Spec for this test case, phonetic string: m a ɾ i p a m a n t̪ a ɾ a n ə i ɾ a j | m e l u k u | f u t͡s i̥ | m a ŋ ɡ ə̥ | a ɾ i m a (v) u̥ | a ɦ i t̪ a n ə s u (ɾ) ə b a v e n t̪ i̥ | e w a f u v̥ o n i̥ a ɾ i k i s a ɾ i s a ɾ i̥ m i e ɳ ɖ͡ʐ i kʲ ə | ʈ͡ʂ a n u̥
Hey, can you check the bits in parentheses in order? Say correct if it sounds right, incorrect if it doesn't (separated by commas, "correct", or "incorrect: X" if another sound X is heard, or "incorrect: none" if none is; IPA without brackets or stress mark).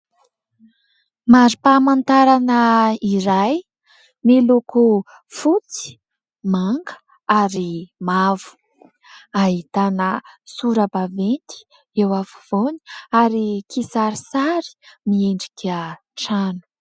correct, correct